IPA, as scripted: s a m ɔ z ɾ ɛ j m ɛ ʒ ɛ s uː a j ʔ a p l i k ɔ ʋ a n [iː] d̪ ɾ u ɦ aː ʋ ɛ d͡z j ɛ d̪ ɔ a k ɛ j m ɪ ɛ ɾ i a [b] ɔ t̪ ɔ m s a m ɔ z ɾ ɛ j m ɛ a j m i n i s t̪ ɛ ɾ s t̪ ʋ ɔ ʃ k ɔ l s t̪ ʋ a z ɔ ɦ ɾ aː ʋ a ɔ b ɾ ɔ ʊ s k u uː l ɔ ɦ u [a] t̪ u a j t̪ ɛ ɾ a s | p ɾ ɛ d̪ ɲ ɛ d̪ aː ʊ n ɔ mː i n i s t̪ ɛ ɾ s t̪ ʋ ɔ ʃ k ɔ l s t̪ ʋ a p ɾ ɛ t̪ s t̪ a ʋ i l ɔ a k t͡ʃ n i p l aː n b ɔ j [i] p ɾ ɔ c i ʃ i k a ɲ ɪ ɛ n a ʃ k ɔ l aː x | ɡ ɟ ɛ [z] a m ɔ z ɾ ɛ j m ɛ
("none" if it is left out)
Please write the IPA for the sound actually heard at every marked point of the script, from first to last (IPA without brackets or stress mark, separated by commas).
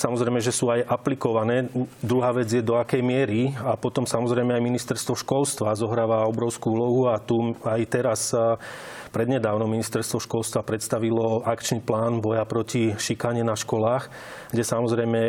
ɛː, p, a, a, s